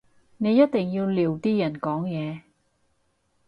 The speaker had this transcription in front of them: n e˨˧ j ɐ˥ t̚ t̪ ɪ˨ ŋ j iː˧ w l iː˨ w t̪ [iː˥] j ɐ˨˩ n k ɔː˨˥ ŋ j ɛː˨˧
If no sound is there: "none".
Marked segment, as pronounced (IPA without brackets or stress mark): iː˥